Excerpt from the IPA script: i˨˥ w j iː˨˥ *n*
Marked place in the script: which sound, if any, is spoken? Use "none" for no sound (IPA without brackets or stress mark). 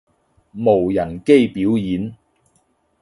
n